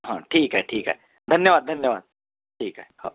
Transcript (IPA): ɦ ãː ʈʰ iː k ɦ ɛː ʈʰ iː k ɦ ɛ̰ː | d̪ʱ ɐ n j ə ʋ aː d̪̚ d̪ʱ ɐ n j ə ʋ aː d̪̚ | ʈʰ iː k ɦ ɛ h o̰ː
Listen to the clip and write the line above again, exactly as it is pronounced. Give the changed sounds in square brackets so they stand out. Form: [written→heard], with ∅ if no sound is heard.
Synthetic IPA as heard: ɦ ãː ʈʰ iː k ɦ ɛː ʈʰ iː k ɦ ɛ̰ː | d̪ʱ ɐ n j ə ʋ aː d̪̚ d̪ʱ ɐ n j ə ʋ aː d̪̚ | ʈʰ iː k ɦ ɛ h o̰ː